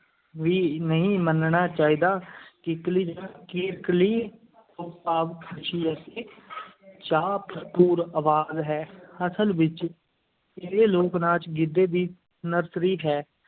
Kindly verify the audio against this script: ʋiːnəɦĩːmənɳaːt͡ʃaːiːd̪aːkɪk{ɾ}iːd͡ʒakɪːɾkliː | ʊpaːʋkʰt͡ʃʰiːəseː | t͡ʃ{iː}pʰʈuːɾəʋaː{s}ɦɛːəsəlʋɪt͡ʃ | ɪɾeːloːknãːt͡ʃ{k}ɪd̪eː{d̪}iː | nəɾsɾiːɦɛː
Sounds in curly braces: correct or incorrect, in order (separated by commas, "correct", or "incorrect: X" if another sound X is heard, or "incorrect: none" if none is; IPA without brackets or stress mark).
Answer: incorrect: l, incorrect: aː, incorrect: z, incorrect: ɡ, correct